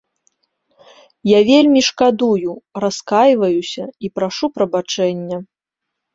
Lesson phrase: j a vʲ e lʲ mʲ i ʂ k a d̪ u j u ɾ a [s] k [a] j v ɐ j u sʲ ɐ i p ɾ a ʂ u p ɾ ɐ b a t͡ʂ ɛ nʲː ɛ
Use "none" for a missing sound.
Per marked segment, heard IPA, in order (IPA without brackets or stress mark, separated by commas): s, a